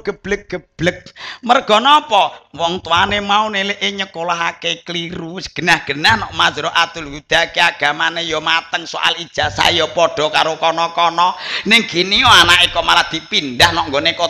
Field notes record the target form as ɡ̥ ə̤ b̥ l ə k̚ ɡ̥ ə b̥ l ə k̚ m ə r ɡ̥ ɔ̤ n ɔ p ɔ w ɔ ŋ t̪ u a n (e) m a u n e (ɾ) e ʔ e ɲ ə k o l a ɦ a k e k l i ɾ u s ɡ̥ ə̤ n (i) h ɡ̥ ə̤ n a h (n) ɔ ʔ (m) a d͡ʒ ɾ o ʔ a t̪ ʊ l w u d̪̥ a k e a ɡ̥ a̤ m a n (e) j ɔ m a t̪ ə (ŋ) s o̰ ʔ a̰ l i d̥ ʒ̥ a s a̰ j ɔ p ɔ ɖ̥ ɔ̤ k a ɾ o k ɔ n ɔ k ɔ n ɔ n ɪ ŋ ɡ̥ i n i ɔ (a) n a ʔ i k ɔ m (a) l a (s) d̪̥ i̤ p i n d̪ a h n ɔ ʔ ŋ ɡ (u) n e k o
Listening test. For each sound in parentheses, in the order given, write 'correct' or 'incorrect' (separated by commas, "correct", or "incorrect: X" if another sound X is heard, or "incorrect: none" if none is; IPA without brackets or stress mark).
correct, incorrect: l, incorrect: a, correct, correct, correct, correct, correct, correct, incorrect: h, incorrect: o